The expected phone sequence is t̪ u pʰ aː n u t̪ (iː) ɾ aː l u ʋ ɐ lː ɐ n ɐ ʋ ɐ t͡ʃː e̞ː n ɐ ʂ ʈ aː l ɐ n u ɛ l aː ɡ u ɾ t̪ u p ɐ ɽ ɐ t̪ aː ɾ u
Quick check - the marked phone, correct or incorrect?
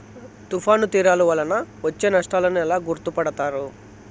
correct